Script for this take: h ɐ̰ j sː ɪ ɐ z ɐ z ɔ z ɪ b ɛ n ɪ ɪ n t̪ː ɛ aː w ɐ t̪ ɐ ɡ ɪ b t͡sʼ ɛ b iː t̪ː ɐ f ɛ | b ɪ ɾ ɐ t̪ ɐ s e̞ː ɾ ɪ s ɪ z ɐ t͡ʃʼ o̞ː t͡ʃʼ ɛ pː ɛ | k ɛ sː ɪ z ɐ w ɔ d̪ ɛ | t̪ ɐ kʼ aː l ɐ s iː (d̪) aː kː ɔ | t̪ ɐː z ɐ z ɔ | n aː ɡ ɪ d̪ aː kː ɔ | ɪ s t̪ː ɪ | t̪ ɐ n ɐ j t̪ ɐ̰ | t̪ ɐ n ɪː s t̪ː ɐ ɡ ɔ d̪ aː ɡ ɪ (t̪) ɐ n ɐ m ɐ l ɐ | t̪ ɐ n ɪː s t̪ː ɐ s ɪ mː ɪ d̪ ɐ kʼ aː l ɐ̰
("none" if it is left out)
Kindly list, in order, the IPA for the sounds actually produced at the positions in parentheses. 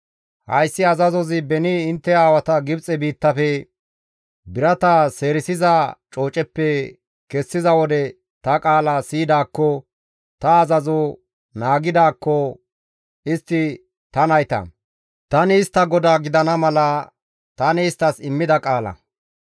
d̪, d̪

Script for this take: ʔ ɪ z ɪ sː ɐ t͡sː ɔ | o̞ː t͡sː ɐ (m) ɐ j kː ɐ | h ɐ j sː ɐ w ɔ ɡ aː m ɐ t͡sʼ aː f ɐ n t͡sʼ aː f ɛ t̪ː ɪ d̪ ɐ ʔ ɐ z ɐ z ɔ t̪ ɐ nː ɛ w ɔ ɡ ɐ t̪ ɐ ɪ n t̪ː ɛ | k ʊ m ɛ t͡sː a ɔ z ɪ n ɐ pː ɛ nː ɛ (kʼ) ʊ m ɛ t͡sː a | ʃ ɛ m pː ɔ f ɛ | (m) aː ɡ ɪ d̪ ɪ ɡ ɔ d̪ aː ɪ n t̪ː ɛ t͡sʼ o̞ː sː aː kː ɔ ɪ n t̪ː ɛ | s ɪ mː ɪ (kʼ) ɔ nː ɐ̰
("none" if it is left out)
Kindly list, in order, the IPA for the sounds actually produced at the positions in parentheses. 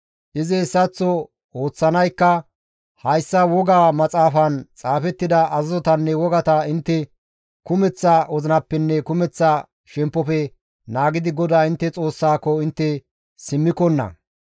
n, k, n, k

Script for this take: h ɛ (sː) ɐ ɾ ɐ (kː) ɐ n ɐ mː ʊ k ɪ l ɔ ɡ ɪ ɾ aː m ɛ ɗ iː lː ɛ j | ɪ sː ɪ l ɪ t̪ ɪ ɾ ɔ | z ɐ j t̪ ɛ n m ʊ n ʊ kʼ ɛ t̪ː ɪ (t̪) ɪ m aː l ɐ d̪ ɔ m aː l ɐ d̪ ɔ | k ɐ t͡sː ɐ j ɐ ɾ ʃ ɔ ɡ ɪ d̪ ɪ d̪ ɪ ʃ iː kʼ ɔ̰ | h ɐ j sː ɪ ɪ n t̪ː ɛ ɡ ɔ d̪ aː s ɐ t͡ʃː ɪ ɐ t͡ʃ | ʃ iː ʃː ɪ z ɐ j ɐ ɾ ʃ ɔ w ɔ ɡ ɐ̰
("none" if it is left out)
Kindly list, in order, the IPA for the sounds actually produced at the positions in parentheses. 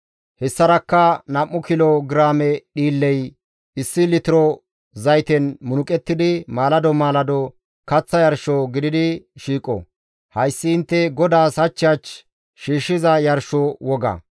sː, kː, d̪

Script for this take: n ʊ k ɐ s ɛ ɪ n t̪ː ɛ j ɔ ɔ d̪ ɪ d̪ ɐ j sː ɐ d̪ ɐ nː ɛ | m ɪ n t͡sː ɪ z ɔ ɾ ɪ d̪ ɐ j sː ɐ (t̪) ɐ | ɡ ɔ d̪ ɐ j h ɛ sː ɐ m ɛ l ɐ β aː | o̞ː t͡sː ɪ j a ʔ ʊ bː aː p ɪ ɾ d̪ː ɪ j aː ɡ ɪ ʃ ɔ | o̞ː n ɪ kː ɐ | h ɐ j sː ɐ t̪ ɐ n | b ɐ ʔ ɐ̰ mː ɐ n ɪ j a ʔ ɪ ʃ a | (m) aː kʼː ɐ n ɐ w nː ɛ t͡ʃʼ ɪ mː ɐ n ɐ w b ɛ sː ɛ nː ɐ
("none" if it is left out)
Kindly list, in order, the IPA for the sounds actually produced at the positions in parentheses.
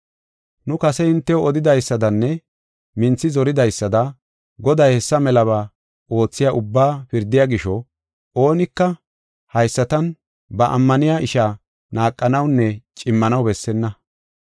d̪, n

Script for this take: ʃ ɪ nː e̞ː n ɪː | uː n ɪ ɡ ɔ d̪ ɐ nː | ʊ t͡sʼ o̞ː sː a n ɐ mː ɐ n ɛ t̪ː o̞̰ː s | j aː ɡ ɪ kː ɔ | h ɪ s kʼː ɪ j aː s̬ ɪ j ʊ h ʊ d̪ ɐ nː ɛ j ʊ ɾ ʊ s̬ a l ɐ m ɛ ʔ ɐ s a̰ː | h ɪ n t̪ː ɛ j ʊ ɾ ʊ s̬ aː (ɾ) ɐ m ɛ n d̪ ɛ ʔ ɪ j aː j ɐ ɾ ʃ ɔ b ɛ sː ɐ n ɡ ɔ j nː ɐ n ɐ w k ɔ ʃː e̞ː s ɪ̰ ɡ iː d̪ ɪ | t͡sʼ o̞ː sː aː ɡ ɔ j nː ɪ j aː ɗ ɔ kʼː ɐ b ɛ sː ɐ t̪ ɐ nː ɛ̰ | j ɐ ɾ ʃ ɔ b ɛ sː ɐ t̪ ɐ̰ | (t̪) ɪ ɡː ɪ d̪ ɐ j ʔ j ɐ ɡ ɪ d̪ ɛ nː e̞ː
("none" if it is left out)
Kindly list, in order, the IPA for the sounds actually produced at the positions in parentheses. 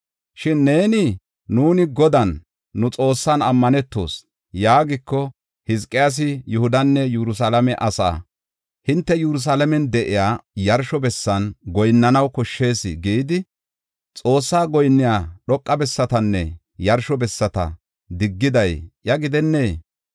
l, d̪

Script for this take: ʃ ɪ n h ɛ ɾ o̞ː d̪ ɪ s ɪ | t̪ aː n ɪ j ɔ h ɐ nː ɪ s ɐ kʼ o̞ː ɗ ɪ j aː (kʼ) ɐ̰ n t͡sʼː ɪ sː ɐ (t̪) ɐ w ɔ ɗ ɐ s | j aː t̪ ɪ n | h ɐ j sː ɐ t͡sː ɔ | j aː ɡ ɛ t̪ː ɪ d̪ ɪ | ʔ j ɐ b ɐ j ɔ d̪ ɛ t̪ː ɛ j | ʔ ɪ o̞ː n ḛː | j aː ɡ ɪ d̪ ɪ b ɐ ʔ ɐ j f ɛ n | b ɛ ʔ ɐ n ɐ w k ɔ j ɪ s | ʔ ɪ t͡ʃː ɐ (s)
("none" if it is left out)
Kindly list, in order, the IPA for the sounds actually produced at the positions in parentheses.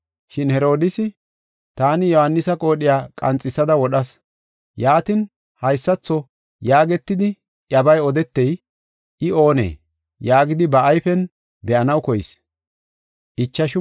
kʼ, d̪, ʃ

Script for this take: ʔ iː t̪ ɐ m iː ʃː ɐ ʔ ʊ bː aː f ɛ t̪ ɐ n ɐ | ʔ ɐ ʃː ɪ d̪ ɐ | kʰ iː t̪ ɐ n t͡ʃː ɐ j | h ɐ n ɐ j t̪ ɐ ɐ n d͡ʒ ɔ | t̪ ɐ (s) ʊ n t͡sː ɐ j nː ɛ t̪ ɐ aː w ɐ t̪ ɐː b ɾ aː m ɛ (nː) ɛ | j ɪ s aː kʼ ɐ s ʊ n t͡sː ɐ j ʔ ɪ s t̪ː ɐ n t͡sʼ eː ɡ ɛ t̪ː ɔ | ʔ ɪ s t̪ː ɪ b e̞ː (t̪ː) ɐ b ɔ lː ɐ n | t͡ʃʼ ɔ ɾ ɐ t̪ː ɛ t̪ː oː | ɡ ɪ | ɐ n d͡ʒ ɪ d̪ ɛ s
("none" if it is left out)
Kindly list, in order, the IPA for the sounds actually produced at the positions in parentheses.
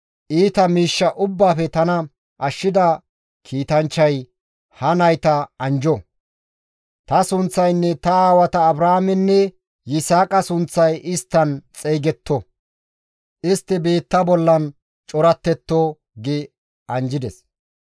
s, nː, t̪ː

